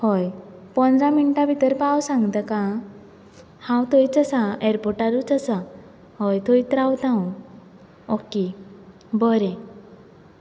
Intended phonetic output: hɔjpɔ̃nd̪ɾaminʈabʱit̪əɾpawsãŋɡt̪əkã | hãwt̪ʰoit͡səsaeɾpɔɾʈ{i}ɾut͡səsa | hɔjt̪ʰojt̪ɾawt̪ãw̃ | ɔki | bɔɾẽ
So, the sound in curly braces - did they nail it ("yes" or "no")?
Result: no